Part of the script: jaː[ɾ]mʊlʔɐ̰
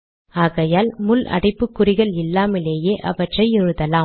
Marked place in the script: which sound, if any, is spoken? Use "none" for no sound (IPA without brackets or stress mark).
l